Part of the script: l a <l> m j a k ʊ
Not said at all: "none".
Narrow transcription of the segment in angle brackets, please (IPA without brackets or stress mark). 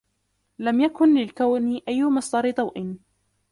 none